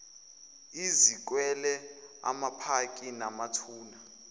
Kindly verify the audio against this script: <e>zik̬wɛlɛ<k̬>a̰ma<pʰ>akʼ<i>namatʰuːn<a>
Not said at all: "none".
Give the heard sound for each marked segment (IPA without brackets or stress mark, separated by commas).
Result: i, none, pʰ, i, a